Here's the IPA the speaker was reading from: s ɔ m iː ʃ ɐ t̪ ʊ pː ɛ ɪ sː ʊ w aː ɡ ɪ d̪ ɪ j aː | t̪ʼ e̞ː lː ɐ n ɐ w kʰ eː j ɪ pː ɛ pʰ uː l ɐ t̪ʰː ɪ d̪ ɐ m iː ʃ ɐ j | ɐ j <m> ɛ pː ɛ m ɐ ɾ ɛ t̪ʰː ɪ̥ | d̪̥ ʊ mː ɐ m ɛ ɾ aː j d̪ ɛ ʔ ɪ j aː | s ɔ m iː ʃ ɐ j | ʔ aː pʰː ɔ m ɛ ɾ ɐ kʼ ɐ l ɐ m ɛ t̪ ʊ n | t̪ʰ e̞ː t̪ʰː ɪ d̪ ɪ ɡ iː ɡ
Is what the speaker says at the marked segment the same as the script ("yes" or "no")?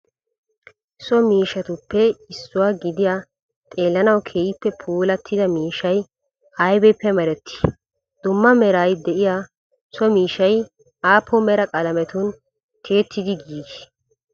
no